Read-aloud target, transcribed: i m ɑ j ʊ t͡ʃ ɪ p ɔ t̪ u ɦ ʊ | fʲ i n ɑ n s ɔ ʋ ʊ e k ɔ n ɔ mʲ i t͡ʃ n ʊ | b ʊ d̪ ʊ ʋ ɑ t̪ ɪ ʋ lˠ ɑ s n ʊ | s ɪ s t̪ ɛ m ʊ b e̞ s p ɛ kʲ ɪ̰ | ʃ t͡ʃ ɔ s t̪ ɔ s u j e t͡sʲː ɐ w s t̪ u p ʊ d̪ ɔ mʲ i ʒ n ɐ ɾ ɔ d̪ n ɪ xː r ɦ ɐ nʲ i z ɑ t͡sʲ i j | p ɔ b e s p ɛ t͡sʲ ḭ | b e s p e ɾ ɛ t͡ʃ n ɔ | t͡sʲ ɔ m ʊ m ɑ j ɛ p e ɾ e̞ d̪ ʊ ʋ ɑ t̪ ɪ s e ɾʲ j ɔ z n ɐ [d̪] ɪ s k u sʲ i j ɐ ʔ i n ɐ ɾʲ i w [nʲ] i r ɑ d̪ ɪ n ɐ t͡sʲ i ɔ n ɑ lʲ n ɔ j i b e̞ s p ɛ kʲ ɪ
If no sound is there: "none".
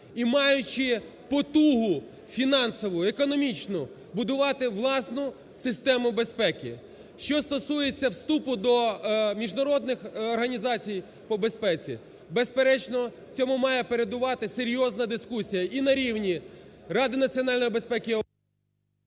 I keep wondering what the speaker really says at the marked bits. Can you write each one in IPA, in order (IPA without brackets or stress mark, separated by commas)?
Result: d̪, nʲ